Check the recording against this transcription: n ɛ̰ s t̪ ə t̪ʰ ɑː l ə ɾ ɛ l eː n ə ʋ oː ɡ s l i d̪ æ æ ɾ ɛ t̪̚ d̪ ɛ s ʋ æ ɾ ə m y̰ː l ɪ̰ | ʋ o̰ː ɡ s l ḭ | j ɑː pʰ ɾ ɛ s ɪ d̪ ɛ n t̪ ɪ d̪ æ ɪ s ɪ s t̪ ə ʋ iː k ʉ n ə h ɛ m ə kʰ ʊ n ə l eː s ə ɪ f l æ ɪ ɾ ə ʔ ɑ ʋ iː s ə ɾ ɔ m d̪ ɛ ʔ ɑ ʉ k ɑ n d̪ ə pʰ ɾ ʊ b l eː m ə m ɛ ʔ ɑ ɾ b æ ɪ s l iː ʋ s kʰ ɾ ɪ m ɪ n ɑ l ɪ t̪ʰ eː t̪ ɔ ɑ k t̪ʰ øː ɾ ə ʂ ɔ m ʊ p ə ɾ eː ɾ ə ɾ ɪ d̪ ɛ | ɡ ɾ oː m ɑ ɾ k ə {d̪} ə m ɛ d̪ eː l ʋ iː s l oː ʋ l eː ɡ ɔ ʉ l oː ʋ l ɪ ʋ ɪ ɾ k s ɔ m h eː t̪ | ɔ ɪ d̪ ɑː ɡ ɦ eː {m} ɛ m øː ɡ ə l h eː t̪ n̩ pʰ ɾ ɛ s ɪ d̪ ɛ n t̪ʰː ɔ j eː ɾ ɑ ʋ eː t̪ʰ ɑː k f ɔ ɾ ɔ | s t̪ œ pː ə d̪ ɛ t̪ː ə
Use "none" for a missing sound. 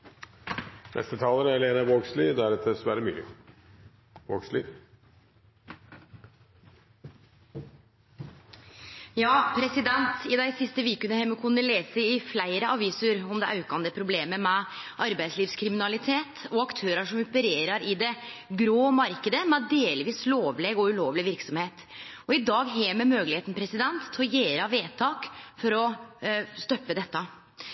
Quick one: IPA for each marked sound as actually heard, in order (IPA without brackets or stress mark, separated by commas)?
d̪, m